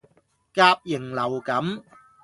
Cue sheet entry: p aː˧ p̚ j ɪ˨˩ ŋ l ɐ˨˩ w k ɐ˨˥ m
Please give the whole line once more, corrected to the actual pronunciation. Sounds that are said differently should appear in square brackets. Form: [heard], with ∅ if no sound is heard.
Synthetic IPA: [k] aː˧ p̚ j ɪ˨˩ ŋ l ɐ˨˩ w k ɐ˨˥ m